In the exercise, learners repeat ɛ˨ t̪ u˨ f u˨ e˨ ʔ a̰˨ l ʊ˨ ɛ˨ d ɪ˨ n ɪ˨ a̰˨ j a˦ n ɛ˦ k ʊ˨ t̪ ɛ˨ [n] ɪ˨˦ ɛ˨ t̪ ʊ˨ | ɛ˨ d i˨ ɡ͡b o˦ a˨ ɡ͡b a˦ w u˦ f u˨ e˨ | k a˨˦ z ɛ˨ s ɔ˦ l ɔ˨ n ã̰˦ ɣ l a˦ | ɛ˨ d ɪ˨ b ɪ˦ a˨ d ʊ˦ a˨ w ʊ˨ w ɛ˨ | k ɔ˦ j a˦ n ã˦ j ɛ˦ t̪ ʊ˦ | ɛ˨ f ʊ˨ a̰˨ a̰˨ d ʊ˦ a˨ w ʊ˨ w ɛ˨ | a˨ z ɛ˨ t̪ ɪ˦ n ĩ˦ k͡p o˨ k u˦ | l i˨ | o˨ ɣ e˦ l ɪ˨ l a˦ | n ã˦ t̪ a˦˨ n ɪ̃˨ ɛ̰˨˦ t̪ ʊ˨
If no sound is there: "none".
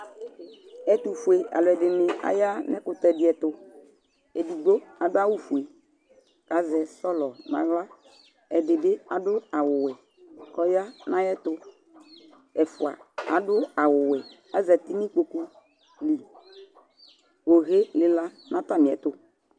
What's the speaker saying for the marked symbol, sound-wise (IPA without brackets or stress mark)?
d